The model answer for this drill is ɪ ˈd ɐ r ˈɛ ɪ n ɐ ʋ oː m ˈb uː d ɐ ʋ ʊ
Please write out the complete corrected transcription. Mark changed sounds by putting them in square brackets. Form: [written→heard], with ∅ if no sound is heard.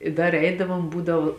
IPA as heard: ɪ ˈd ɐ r ˈɛ ɪ [n→d] ɐ ʋ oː m ˈb uː d ɐ ʋ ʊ